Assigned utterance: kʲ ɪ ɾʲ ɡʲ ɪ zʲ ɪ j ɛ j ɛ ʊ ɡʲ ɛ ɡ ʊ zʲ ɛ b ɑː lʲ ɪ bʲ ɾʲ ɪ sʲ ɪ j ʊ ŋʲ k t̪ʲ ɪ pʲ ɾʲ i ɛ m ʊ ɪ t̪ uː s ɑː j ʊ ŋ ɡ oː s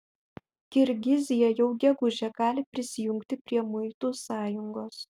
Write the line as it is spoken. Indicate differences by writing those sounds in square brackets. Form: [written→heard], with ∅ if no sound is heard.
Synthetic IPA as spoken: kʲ ɪ ɾʲ ɡʲ ɪ zʲ ɪ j ɛ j ɛ ʊ ɡʲ ɛ ɡ ʊ [zʲ→ʒʲ] ɛ [b→ɡ] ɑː lʲ ɪ [bʲ→pʲ] ɾʲ ɪ sʲ ɪ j ʊ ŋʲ k t̪ʲ ɪ pʲ ɾʲ i ɛ m ʊ ɪ t̪ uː s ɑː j ʊ ŋ ɡ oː s